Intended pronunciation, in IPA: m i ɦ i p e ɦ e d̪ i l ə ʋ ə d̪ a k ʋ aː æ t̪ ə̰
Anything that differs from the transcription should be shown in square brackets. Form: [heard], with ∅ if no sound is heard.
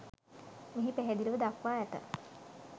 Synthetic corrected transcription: m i ɦ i p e ɦ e d̪ i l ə ʋ ə d̪ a k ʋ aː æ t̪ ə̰